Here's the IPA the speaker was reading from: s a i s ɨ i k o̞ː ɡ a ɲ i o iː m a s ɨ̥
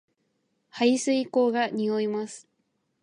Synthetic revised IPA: h a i s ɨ i k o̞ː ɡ a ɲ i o i m a s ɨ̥